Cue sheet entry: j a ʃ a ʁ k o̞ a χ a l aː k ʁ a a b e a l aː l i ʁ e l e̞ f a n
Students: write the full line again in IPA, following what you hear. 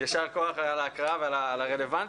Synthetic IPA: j a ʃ a ʁ k o̞ a χ a l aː k ʁ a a v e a l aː l a ʁ e l e̞ v a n